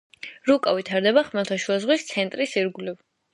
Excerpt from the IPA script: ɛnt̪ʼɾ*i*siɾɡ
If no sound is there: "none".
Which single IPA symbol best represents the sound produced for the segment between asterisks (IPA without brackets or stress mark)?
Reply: i